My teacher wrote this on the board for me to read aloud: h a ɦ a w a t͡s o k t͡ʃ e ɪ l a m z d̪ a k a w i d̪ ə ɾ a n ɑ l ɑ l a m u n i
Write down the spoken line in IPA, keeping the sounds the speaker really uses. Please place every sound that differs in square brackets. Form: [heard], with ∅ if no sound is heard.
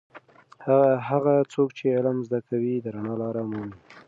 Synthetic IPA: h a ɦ a [ɣ] a t͡s o k t͡ʃ e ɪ l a m z d̪ a k a w i d̪ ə ɾ a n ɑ l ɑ [ɾ] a m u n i